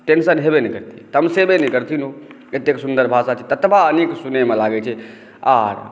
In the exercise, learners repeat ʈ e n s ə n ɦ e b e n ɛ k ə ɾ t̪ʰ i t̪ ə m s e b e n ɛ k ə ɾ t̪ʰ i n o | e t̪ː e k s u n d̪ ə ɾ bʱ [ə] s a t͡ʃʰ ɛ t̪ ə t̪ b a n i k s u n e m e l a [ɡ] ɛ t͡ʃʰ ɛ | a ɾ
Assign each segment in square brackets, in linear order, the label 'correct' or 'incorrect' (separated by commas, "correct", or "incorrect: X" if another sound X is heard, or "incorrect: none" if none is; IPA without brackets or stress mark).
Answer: incorrect: a, correct